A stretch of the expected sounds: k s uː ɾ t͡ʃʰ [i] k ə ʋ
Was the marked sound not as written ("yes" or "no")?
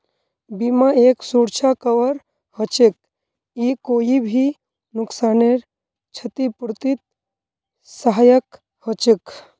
yes